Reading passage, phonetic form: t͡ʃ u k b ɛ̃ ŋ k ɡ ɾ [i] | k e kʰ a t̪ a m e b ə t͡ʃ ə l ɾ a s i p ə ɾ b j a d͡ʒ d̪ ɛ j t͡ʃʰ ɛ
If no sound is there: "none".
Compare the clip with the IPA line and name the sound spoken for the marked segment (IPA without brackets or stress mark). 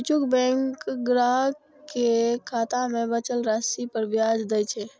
a